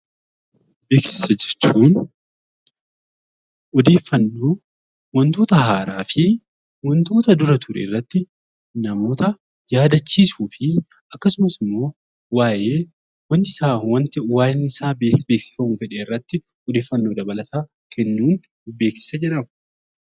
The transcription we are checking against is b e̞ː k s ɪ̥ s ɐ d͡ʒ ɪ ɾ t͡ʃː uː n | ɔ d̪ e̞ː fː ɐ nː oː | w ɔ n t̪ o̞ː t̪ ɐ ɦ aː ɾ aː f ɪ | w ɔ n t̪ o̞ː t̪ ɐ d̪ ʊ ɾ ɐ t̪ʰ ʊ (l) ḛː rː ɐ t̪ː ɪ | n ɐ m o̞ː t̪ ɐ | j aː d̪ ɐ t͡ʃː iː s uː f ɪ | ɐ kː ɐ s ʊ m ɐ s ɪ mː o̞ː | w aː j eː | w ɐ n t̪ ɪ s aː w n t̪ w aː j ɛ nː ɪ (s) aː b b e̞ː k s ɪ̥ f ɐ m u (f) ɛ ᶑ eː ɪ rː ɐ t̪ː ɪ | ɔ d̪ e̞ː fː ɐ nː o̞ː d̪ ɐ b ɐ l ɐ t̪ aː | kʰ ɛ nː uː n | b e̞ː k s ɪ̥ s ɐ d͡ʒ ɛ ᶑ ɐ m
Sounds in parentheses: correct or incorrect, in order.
incorrect, correct, correct

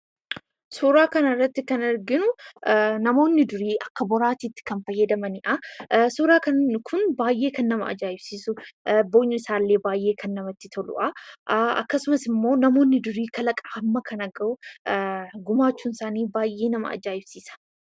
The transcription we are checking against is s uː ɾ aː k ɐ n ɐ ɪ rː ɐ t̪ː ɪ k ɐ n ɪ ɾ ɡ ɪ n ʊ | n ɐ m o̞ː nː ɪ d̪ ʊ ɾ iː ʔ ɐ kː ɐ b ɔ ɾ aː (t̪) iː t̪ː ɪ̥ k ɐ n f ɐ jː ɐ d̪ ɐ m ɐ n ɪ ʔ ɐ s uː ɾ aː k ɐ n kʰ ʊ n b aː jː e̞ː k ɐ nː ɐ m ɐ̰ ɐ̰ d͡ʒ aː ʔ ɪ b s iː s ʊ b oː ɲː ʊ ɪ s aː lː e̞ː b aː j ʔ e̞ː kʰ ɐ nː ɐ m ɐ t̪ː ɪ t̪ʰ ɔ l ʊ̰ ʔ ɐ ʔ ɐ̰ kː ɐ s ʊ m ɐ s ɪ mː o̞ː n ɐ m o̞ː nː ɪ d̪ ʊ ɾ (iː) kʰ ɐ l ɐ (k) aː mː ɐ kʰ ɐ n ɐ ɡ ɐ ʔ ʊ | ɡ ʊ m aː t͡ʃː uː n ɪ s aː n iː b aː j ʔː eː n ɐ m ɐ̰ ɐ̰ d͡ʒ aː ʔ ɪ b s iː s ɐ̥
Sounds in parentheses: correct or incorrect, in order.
correct, correct, incorrect

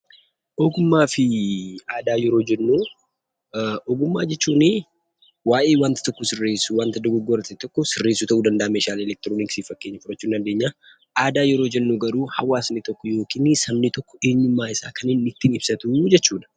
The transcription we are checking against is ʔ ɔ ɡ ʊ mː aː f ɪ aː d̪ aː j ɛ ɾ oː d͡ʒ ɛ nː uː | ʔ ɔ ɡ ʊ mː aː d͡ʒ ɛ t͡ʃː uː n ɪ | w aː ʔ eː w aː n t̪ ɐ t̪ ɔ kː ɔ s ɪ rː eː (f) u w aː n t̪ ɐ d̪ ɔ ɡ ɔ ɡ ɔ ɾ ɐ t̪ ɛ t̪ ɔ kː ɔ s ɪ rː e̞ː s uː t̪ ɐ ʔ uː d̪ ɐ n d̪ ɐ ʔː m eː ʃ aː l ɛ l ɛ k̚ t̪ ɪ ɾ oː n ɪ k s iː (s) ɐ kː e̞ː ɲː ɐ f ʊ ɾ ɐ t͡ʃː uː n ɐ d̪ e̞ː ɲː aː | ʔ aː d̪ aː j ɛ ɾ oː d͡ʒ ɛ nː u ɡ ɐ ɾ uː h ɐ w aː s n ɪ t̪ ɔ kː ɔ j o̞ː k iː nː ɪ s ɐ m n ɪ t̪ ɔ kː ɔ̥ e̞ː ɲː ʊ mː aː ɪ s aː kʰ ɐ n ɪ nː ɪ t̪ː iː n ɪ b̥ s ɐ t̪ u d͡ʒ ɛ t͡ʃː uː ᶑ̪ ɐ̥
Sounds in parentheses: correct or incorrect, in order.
incorrect, incorrect

